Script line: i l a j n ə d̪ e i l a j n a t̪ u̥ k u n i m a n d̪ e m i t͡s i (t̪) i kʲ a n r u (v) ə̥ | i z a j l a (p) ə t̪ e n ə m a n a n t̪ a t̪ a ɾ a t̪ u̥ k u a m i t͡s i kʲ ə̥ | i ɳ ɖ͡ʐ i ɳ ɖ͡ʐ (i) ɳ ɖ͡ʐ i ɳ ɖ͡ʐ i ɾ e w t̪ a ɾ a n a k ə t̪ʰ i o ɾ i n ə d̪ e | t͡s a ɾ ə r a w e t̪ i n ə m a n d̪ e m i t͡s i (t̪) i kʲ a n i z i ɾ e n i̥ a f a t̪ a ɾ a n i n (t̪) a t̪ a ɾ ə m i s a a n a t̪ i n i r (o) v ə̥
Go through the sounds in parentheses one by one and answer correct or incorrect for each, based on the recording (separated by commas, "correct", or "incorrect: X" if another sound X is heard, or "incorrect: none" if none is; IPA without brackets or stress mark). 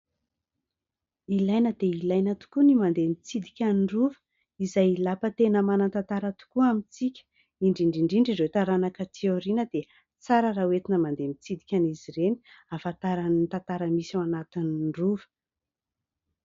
incorrect: d̪, correct, correct, correct, incorrect: d̪, correct, incorrect: u